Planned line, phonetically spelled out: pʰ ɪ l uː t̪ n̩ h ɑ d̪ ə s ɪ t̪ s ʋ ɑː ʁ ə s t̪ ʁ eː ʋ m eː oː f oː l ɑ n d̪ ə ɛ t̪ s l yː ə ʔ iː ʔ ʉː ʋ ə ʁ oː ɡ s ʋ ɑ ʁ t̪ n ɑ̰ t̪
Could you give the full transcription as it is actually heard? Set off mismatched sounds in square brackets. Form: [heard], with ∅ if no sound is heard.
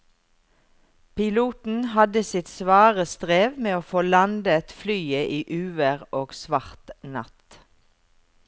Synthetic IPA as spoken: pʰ ɪ l uː t̪ n̩ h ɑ d̪ ə s ɪ t̪ s ʋ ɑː ʁ ə s t̪ ʁ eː ʋ m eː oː f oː l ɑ n d̪ ə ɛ t̪ [f] l yː ə ʔ iː ʔ ʉː ʋ ə ʁ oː ɡ s ʋ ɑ ʁ t̪ n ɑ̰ t̪

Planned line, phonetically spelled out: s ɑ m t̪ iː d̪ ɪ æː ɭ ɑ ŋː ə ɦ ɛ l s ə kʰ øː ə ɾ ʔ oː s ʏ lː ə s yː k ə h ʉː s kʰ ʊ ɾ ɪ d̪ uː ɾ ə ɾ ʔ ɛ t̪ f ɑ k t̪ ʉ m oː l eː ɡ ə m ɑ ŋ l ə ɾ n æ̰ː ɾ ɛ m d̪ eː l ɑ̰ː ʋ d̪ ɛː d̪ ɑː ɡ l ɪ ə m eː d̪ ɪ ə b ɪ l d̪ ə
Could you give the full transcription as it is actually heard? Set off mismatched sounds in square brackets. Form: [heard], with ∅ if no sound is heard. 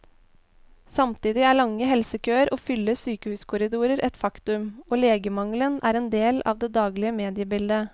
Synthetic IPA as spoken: s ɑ m t̪ iː d̪ ɪ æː ɭ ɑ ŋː ə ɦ ɛ l s ə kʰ øː ə ɾ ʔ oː [f] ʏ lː ə s yː k ə h ʉː s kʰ ʊ ɾ ɪ d̪ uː ɾ ə ɾ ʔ ɛ t̪ f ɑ k t̪ ʉ m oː l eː ɡ ə m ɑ ŋ l ə [∅] n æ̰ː ɾ ɛ [n] d̪ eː l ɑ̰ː ʋ d̪ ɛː d̪ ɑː ɡ l ɪ ə m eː d̪ ɪ ə b ɪ l d̪ ə

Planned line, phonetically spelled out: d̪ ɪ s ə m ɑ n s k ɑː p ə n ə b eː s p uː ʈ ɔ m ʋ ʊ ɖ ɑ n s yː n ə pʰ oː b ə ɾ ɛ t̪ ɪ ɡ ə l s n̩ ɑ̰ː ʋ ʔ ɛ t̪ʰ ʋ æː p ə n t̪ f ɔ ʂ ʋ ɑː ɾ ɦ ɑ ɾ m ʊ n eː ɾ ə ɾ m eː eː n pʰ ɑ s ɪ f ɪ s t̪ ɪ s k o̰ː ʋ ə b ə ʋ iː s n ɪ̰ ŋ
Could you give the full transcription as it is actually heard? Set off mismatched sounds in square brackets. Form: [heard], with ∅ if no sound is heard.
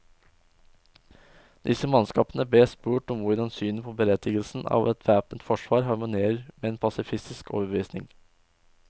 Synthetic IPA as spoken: d̪ ɪ s ə m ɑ n s k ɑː p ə n ə b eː s p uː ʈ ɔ m ʋ ʊ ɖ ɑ n s yː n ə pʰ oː b ə ɾ ɛ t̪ ɪ ɡ ə l s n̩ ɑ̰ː ʋ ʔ ɛ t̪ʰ ʋ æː p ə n t̪ f ɔ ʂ ʋ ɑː ɾ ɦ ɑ ɾ m ʊ n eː ɾ ə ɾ m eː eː n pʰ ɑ s ɪ f ɪ s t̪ ɪ s k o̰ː ʋ ə b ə ʋ iː s n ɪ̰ ŋ

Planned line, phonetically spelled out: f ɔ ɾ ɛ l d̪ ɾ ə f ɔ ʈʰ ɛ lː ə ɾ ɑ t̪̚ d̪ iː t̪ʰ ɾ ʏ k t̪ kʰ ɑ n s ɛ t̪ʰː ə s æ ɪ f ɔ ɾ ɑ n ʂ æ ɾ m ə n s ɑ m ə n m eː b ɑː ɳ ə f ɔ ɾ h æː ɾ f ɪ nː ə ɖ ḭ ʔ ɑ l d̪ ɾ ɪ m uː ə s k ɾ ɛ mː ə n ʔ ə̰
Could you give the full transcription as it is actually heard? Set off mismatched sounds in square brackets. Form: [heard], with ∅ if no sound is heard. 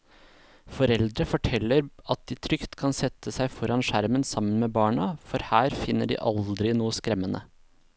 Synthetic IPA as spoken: f ɔ ɾ ɛ l d̪ ɾ ə f ɔ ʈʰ ɛ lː ə ɾ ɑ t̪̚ d̪ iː t̪ʰ ɾ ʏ k t̪ kʰ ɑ n s ɛ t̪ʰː ə s æ ɪ f ɔ ɾ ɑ n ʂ æ ɾ m ə n s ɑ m ə n m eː b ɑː ɳ [ɑ] f ɔ ɾ h æː ɾ f ɪ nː ə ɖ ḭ ʔ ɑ l d̪ ɾ ɪ [n] uː ə s k ɾ ɛ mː ə n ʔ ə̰

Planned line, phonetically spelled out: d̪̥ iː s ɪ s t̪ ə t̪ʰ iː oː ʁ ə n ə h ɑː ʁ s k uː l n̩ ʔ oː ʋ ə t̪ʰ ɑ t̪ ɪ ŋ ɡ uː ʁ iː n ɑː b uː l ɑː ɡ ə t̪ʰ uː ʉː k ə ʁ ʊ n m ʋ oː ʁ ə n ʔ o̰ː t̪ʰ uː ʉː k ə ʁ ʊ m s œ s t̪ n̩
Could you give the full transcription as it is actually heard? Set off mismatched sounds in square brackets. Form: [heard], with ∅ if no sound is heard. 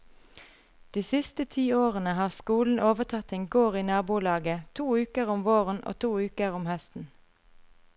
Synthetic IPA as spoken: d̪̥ iː s ɪ s t̪ ə t̪ʰ iː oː ʁ ə n ə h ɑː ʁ s k uː l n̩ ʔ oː ʋ ə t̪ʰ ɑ t̪ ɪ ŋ ɡ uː ʁ iː n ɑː b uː l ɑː ɡ ə t̪ʰ uː ʉː k ə ʁ ʊ [∅] m ʋ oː ʁ ə n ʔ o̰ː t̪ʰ uː ʉː k ə ʁ ʊ m [h] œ s t̪ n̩

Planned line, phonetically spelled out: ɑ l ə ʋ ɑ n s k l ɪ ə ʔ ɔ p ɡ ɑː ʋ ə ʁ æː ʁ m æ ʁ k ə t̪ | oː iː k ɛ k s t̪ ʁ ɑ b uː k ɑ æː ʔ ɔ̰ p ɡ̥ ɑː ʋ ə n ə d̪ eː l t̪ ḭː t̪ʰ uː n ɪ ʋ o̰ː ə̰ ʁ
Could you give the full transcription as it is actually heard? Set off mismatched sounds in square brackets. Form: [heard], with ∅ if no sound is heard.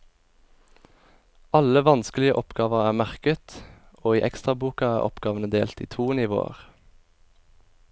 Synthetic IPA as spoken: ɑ l ə ʋ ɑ n s k l ɪ ə ʔ ɔ p ɡ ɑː ʋ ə ʁ æː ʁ m æ ʁ k ə t̪ | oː iː [ʔ] ɛ k s t̪ ʁ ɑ b uː k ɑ æː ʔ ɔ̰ p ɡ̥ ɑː ʋ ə n ə d̪ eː l t̪ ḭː t̪ʰ uː n ɪ ʋ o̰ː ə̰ ʁ

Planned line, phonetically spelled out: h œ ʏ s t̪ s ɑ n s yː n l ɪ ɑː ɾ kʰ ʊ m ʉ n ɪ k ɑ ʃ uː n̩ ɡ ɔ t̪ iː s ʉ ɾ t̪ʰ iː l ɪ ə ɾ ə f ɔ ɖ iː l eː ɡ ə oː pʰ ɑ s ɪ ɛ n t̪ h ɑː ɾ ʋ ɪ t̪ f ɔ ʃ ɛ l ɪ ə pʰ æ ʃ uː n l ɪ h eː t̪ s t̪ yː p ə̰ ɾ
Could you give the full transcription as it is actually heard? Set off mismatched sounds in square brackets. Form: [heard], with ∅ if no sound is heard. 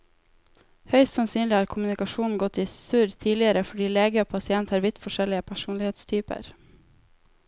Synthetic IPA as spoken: h œ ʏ s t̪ s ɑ n s yː n l ɪ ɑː ɾ kʰ ʊ m ʉ n ɪ k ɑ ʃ uː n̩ ɡ ɔ t̪ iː s ʉ ɾ t̪ʰ iː l ɪ ə ɾ ə f ɔ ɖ iː l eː ɡ ə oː pʰ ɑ s ɪ ɛ n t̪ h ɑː ɾ ʋ ɪ t̪ f ɔ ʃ ɛ l ɪ ə pʰ æ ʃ uː n l ɪ h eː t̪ s [t̪ʰ] yː p ə̰ ɾ

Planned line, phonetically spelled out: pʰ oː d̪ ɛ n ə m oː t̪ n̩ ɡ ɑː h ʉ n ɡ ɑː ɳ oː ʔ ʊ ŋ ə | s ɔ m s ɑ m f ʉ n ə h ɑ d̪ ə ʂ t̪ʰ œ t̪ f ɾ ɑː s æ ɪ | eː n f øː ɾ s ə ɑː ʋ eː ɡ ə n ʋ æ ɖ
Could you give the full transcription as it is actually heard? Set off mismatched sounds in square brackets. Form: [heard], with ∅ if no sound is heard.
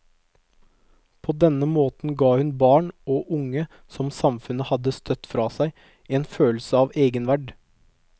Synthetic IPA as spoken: pʰ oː d̪ ɛ n ə m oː t̪ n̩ ɡ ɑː h ʉ n [b] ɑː ɳ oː ʔ ʊ ŋ ə | s ɔ m s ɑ m f ʉ n ə h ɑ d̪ ə [s] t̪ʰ œ t̪ f ɾ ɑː s æ ɪ | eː n f øː [l] s ə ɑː ʋ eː ɡ ə n ʋ æ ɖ

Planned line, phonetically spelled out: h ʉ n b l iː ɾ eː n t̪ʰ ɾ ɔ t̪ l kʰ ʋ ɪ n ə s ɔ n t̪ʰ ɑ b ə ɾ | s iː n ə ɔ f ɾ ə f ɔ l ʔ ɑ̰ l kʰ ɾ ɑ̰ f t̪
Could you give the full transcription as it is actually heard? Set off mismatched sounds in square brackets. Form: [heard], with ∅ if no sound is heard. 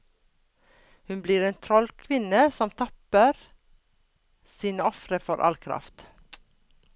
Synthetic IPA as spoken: h ʉ n b l iː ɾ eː n t̪ʰ ɾ ɔ [∅] l kʰ ʋ ɪ n ə s ɔ [m] t̪ʰ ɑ [p] ə ɾ | s iː n ə ɔ f ɾ ə f ɔ [ɾ] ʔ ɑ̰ l kʰ ɾ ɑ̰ f t̪

